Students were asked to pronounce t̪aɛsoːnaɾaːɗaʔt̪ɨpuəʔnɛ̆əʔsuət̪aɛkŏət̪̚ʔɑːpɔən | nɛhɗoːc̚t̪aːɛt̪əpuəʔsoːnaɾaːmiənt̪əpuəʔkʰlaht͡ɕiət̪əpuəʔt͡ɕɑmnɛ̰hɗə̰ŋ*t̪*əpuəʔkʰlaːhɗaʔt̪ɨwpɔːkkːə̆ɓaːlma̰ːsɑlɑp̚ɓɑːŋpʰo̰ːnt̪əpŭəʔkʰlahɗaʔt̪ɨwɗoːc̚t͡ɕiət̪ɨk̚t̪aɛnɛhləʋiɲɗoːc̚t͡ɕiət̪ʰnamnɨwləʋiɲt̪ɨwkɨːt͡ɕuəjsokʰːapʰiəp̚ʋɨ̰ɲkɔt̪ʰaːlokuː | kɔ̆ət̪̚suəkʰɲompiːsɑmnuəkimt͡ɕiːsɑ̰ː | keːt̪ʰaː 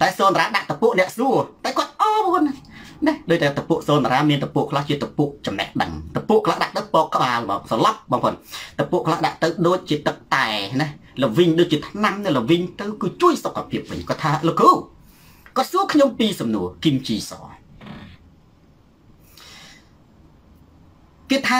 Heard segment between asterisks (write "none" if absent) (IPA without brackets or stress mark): t̪